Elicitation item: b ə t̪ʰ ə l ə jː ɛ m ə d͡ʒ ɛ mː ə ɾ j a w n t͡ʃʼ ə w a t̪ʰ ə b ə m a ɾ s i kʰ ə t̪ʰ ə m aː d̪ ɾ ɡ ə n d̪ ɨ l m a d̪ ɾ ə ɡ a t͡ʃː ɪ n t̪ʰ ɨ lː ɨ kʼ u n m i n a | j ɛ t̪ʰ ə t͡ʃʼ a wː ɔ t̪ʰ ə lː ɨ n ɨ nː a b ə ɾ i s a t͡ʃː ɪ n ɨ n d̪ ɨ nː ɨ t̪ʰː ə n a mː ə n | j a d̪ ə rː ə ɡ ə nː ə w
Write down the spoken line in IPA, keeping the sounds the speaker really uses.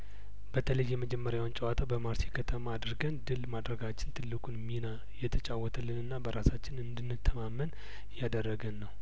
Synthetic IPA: b ə t̪ʰ ə l ə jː ɛ m ə d͡ʒ ɛ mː ə ɾ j a w n t͡ʃʼ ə w a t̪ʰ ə b ə m a ɾ s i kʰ ə t̪ʰ ə m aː d̪ ɾ ɡ ə n d̪ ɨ l m a d̪ ɾ ə ɡ a t͡ʃː ɪ n t̪ʰ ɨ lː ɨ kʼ u n m i n a | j ɛ t̪ʰ ə t͡ʃʼ a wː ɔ t̪ʰ ə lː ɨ n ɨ nː a b ə ɾ a s a t͡ʃː ɪ n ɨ n d̪ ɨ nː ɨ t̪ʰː ə m a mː ə n | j a d̪ ə rː ə ɡ ə nː ə w